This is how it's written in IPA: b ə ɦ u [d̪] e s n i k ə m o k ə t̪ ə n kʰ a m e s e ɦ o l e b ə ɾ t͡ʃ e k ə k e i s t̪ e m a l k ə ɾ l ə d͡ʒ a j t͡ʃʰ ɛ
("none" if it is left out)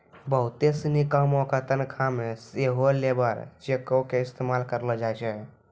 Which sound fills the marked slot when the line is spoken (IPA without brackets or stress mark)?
t̪